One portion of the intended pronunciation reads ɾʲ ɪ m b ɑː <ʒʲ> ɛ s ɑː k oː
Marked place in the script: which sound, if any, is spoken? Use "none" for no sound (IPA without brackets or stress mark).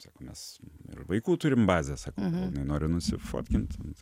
zʲ